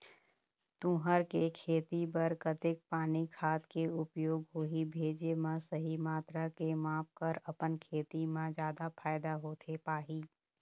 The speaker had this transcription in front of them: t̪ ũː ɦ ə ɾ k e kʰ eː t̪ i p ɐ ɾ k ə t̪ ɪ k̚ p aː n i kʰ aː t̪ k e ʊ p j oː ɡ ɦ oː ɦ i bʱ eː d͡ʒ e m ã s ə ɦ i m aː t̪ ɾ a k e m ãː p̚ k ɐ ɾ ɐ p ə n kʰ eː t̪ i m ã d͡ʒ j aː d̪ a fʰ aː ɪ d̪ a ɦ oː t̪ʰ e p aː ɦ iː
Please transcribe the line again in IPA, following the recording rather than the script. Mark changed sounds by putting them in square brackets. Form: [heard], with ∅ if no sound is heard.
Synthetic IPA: t̪ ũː ɦ ə ɾ k e kʰ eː t̪ i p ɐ ɾ k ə t̪ ɪ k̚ p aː n i kʰ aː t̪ k e ʊ p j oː ɡ ɦ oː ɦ i bʱ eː d͡ʒ e m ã s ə ɦ i m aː t̪ ɾ a k e m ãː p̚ k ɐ ɾ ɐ p ə n kʰ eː t̪ i m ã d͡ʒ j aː d̪ a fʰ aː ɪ d̪ a ɦ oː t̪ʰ e p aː ɦ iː